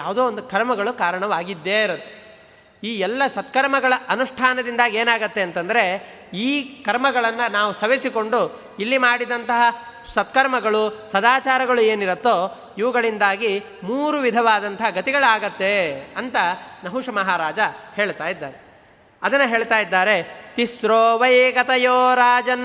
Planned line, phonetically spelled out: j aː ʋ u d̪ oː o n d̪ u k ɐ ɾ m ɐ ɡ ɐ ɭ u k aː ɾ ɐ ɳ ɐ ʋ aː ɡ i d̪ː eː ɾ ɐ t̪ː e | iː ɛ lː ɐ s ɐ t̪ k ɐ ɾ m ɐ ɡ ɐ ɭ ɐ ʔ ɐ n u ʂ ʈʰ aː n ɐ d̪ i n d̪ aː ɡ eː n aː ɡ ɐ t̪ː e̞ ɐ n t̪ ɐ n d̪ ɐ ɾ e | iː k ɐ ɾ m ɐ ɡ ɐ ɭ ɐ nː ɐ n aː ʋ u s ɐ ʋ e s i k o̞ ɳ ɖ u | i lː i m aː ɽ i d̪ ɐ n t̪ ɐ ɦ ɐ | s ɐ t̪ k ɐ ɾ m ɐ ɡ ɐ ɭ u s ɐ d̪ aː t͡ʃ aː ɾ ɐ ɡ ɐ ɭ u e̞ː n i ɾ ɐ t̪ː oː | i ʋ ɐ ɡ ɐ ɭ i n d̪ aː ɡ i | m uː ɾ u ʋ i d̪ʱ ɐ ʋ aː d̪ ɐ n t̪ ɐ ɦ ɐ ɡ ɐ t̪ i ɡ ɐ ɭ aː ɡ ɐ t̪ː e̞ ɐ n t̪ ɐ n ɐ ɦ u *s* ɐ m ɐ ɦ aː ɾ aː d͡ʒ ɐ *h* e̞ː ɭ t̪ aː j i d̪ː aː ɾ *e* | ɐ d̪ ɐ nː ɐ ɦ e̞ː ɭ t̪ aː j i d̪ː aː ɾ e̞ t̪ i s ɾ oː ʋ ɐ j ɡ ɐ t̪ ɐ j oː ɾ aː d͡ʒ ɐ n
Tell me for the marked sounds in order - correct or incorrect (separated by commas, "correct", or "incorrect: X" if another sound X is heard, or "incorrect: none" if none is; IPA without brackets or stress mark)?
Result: incorrect: ʂ, correct, correct